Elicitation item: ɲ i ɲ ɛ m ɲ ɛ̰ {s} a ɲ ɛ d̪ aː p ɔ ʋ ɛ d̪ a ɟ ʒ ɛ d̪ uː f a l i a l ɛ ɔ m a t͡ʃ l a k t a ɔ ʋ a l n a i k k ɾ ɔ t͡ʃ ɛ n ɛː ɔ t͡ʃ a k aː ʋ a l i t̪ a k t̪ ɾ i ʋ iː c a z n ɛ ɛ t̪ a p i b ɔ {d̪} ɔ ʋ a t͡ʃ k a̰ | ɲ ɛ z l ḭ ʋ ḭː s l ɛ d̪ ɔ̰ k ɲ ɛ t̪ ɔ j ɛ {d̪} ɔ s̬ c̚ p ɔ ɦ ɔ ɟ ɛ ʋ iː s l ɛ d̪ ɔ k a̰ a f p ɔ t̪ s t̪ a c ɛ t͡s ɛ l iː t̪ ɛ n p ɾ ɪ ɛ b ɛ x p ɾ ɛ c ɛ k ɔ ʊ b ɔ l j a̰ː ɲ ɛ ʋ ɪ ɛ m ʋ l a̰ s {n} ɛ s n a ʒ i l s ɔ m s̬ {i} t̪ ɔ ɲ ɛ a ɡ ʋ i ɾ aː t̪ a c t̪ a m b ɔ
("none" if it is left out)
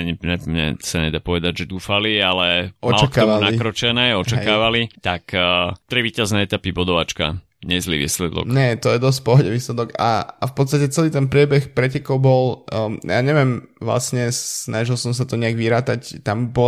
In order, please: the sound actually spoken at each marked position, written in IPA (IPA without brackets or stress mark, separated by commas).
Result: s, d̪, d̪, ɲ, a